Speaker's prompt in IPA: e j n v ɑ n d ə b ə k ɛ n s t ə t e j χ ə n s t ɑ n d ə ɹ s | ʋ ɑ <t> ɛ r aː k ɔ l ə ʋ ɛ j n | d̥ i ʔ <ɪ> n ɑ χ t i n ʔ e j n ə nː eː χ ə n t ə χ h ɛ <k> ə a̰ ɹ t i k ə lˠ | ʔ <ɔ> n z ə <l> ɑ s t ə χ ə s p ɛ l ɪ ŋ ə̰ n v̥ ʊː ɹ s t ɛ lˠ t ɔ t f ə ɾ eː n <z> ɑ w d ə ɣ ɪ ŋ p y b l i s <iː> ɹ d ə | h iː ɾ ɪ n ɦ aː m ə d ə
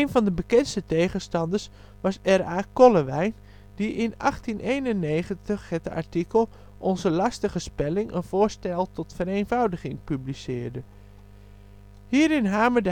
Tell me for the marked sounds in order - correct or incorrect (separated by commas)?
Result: incorrect, correct, incorrect, correct, correct, incorrect, incorrect